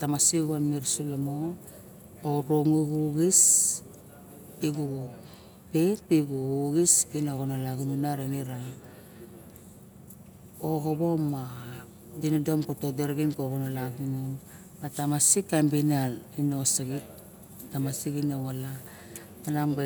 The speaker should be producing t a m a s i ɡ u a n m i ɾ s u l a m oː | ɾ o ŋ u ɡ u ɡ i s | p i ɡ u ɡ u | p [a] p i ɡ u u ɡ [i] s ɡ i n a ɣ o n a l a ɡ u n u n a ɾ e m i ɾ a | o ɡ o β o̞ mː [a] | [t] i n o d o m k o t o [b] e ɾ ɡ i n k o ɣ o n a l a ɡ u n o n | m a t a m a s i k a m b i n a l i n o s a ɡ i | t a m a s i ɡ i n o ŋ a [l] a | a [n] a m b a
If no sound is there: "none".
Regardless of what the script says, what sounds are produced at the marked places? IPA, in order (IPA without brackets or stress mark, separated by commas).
e, i, a, d, d, l, n